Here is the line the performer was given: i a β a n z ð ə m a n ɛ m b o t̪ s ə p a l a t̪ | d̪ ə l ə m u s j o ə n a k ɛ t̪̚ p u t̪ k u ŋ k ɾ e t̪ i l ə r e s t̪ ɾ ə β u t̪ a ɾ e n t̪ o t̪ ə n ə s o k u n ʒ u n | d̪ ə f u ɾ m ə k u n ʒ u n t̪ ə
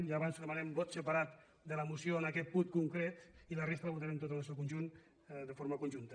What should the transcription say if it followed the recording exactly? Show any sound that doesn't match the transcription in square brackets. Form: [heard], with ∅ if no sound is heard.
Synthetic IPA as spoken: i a β a n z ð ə m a n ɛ m b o t̪ s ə p a [ɾ] a t̪ | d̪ ə l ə m u s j o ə n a k ɛ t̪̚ p u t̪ k u ŋ k ɾ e t̪ i l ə r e s t̪ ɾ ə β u t̪ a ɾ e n t̪ o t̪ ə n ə s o k u n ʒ u n | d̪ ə f [o] ɾ m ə k u n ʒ u n t̪ ə